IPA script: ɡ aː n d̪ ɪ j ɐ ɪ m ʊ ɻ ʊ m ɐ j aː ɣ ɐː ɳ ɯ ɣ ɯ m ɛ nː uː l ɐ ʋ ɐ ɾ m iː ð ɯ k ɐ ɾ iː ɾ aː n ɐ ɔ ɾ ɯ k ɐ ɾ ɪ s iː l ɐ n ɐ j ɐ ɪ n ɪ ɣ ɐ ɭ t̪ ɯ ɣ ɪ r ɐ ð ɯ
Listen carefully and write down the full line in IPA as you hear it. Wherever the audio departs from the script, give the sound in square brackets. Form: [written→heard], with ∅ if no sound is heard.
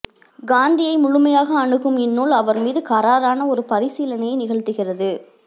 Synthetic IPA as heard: ɡ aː n d̪ ɪ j ɐ ɪ m ʊ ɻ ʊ m ɐ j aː ɣ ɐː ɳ ɯ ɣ ɯ m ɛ nː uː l ɐ ʋ ɐ ɾ m iː ð ɯ k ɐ ɾ [iː→aː] ɾ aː n ɐ ɔ ɾ ɯ [k→p] ɐ ɾ ɪ s iː l ɐ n ɐ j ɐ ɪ n ɪ ɣ ɐ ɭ t̪ ɯ ɣ ɪ r ɐ ð ɯ